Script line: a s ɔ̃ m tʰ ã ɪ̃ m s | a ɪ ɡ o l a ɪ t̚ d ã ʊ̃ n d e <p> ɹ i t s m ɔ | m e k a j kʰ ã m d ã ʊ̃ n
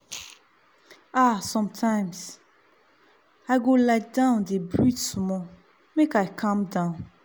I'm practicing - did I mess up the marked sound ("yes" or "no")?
yes